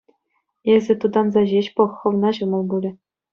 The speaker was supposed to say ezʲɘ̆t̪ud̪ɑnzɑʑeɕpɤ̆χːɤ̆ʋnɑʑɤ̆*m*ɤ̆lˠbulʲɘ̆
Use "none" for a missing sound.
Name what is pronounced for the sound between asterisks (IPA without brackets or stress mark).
m